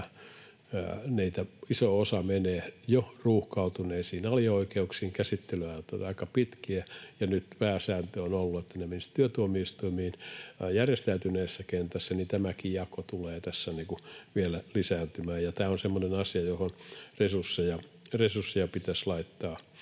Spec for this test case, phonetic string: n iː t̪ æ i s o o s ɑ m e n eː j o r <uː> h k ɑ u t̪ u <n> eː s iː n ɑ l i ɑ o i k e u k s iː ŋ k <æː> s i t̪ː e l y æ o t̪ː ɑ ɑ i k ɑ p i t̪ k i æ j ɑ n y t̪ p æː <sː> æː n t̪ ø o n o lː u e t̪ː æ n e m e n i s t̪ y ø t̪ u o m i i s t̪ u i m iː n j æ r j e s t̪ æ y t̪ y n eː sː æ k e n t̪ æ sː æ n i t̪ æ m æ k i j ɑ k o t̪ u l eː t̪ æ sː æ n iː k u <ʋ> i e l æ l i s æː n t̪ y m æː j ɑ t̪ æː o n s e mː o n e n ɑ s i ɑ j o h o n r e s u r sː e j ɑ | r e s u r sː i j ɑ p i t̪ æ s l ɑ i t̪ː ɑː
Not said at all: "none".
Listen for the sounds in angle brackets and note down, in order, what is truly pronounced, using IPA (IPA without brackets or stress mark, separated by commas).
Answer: uː, n, æ, s, ʋ